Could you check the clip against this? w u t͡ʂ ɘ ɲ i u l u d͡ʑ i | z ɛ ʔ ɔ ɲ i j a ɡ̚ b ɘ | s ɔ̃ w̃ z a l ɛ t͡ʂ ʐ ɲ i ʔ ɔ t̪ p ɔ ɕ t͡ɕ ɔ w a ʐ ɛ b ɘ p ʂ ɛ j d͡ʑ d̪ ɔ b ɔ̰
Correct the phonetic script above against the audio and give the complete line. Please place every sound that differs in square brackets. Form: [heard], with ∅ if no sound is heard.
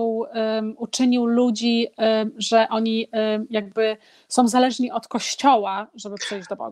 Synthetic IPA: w u t͡ʂ ɘ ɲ i [w] l u d͡ʑ i | [ʐ] ɛ ʔ ɔ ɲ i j a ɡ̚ b ɘ | s ɔ̃ w̃ z a l ɛ [∅] ʐ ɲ i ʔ ɔ t̪ [k] ɔ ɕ t͡ɕ ɔ w a ʐ ɛ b ɘ p ʂ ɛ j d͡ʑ d̪ ɔ b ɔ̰